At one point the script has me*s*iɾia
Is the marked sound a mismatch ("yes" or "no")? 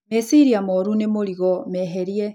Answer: no